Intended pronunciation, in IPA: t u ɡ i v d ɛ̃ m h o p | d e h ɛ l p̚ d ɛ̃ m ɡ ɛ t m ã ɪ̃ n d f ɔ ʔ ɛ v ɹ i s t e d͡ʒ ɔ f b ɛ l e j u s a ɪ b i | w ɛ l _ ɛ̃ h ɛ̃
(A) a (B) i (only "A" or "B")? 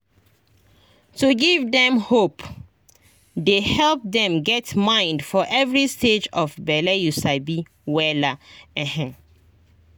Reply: A